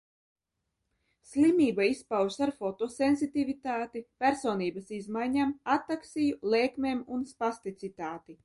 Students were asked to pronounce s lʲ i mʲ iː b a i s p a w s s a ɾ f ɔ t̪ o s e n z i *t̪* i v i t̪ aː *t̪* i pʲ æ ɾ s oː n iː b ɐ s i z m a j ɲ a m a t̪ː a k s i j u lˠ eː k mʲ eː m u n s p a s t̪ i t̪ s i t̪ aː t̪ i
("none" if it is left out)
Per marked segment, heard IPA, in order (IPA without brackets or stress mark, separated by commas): t̪, t̪